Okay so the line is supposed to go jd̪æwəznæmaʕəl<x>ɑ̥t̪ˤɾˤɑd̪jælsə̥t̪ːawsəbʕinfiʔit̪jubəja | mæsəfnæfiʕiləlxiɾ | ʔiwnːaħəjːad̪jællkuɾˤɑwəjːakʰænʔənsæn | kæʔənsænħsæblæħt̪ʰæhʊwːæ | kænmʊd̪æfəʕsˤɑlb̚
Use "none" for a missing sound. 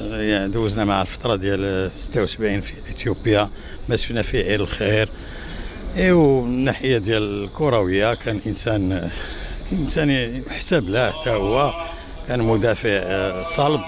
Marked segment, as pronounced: f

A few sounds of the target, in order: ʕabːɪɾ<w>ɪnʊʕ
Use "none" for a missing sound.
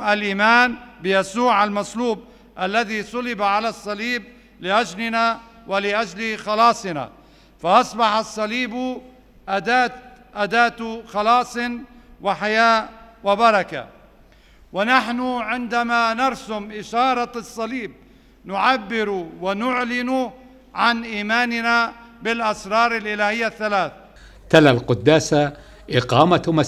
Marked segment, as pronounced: w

